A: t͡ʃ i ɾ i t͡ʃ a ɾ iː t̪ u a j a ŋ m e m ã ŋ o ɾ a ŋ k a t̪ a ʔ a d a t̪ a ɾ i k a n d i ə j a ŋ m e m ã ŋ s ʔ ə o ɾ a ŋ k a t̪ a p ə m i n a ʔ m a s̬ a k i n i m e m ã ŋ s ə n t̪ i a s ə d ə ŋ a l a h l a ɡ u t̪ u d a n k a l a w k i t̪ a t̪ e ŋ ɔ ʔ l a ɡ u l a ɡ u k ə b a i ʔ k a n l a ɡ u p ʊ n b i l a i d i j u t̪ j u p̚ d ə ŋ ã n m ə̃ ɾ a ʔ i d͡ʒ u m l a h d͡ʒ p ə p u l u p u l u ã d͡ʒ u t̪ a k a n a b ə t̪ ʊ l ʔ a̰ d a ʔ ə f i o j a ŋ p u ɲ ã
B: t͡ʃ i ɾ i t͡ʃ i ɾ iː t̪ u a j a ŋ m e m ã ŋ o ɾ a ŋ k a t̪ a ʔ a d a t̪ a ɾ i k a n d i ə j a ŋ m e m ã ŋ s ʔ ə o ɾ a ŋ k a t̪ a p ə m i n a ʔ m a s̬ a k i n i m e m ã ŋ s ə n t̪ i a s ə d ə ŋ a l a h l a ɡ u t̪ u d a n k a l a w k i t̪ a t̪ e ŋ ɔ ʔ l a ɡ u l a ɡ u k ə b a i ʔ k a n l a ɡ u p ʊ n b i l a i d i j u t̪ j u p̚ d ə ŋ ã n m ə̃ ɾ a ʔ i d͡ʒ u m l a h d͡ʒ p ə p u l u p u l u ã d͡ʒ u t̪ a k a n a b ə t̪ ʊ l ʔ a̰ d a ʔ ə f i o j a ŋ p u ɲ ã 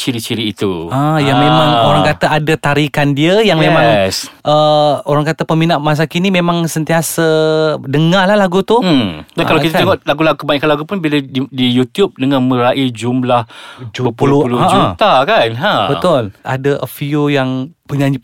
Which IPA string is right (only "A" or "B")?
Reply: B